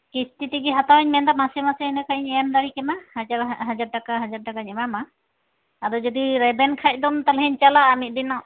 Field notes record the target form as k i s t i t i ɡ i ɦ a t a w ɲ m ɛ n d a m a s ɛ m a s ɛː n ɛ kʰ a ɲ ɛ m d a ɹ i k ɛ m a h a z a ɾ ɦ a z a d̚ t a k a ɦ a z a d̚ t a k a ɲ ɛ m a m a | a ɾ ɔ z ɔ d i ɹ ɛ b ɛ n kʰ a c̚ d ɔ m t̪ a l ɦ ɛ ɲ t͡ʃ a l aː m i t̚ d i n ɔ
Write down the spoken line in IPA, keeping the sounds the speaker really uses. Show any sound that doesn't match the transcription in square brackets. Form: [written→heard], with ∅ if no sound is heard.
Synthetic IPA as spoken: k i s t i t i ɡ i ɦ a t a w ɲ m ɛ n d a m a s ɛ m a s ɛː n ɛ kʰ a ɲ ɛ m d a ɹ i k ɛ m a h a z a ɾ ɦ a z a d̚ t a k a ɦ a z a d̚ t a k a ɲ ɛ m a m a | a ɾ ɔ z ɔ d i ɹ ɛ b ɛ n kʰ a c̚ d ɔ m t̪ a l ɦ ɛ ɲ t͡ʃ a l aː m i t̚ d i n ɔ